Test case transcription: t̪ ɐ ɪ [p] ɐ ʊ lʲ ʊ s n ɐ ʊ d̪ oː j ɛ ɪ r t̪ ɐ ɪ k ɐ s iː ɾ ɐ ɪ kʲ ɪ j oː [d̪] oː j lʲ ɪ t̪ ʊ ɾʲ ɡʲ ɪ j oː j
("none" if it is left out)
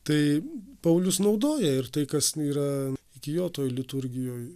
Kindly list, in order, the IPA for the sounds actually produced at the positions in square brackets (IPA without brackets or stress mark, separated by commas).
p, t̪